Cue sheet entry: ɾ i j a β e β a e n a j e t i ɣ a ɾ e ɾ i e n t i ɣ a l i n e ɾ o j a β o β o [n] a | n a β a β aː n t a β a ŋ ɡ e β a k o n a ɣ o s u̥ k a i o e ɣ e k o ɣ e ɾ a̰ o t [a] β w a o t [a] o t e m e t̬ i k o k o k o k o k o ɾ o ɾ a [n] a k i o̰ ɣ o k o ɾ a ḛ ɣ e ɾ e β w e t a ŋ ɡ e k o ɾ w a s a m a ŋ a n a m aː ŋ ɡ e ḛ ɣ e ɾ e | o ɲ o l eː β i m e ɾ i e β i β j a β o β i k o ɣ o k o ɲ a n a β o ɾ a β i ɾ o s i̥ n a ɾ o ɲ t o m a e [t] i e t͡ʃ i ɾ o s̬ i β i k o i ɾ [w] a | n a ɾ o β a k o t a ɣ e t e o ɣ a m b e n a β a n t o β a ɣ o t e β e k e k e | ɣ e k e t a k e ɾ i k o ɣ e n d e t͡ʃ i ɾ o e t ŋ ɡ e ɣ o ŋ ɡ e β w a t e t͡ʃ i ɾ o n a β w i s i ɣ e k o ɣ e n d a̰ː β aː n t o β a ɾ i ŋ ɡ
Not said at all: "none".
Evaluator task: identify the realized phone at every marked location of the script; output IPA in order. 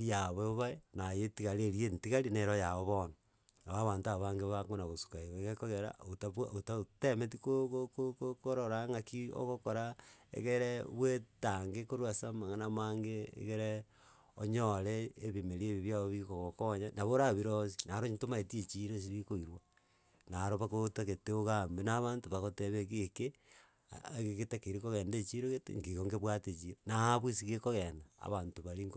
n, a, a, ŋ, t, w

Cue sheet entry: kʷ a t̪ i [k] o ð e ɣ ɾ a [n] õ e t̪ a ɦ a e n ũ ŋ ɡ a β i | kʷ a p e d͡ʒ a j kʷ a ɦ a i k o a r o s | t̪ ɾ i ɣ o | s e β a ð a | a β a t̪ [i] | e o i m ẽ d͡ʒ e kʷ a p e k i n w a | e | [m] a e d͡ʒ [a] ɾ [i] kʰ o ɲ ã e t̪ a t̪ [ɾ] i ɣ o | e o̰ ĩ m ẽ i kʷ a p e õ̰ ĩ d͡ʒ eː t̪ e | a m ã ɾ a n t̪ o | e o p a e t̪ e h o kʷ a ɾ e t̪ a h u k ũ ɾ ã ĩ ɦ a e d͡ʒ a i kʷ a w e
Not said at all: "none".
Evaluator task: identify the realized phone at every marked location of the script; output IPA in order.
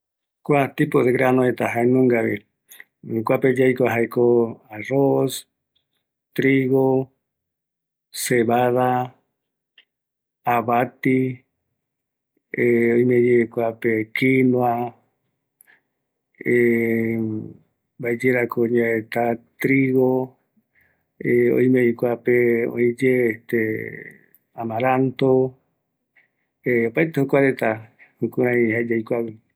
p, n, i, b, e, a, ɾ

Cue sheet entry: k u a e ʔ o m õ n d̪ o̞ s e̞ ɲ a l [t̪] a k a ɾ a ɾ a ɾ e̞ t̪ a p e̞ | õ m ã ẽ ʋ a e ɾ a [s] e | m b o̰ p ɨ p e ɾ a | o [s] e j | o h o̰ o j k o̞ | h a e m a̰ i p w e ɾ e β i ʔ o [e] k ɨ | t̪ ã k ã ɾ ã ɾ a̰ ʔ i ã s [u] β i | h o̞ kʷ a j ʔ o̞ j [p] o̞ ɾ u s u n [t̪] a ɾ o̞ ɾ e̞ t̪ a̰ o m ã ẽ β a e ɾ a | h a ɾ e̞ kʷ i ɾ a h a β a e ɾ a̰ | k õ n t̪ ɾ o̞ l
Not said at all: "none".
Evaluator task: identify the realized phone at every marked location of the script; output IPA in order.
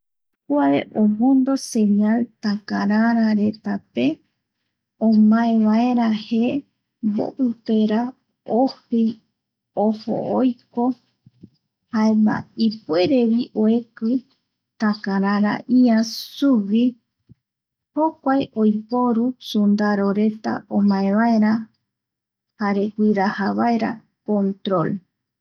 t̪, h, h, e, u, p, d̪

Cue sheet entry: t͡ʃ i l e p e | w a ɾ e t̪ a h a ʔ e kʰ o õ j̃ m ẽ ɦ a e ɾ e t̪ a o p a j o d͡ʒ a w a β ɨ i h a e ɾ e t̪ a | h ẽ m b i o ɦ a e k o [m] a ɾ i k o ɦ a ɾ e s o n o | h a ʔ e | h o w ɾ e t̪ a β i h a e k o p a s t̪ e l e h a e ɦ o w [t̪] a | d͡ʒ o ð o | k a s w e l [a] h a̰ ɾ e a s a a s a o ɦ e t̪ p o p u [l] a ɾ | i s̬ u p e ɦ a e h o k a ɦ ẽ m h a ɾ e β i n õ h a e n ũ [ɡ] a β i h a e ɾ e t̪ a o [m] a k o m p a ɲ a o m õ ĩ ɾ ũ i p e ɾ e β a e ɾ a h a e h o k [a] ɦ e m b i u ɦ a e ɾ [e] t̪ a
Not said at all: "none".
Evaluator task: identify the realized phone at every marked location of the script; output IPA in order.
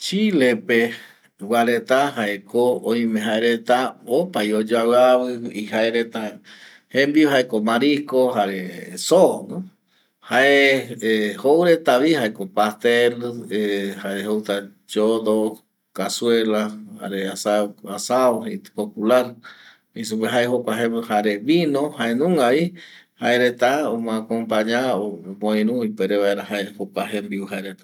m, t̪, a, l, ŋ, m, a, e

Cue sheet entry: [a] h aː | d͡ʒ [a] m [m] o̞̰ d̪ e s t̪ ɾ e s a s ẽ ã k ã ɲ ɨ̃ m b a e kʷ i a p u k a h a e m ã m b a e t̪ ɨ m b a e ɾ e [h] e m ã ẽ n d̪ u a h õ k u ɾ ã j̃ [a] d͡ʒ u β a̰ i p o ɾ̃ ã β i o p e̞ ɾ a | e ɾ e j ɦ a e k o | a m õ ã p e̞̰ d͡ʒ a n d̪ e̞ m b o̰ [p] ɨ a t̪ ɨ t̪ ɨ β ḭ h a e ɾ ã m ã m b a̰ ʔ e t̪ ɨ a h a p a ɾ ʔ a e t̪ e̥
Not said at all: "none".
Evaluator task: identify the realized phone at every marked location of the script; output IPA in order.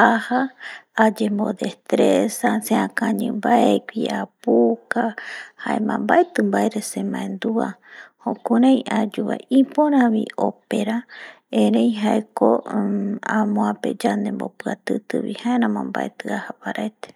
a, e, b, s, a, p

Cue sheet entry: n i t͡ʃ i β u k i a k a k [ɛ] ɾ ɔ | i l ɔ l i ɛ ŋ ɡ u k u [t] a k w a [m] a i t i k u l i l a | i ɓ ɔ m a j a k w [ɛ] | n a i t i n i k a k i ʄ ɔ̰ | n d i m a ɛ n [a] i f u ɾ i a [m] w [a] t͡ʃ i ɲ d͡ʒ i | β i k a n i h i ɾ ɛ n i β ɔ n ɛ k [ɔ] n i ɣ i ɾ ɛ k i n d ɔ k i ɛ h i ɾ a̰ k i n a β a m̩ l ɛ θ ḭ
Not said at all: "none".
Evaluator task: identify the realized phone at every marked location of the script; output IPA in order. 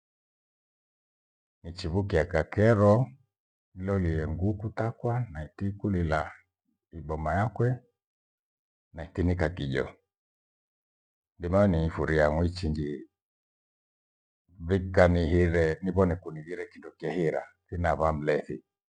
ɛ, t, n, ɛ, i, ŋ, i, u

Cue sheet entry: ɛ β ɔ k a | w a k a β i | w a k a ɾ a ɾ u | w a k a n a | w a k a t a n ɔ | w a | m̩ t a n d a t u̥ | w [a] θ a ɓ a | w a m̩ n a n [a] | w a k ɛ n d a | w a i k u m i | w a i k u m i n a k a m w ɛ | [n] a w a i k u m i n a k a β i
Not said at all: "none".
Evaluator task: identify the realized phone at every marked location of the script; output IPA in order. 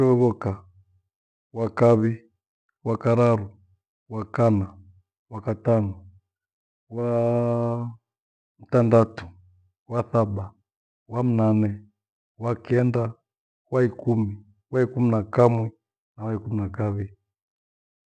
a, ɛ, n

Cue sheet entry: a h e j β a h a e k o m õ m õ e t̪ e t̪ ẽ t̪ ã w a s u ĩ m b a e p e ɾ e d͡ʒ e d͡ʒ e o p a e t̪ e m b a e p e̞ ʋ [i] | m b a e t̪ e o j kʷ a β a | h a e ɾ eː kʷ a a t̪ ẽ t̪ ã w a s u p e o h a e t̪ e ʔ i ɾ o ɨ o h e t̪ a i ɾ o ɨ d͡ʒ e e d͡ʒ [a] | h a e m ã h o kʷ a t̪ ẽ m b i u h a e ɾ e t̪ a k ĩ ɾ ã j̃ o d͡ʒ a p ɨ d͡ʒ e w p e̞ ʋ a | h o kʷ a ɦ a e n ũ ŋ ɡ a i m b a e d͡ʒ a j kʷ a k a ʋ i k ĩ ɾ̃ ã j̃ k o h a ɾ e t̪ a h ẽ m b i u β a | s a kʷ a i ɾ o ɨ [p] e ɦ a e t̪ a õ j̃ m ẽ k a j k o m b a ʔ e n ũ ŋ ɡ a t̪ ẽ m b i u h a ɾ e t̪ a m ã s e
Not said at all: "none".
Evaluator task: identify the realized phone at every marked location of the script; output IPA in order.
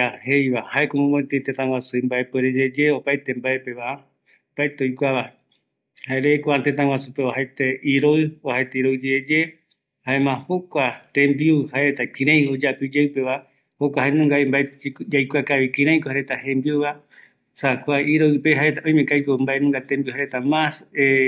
a, e, p

